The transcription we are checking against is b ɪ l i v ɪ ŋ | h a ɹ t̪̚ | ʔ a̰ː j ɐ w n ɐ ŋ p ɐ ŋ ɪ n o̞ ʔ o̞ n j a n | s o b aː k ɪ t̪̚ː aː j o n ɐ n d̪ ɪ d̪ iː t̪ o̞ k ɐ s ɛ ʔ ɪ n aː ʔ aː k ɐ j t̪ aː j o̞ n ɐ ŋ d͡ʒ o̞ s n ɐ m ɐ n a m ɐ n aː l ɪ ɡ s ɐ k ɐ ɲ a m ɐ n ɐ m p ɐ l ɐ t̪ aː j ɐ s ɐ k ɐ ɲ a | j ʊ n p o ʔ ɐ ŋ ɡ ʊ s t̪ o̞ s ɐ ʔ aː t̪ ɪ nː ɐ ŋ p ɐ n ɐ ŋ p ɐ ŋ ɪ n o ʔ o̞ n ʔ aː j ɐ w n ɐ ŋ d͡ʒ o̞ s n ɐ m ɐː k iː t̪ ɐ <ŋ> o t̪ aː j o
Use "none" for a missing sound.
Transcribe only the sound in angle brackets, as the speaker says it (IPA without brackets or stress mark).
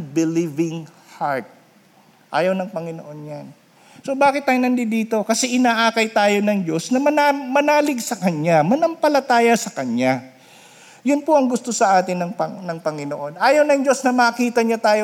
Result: ɲ